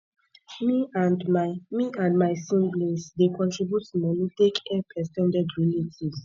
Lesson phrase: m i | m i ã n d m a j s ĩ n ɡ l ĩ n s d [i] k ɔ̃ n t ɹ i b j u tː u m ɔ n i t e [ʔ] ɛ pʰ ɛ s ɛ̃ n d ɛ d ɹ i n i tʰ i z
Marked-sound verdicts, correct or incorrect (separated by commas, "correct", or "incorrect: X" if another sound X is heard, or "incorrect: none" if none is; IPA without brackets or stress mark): incorrect: e, incorrect: k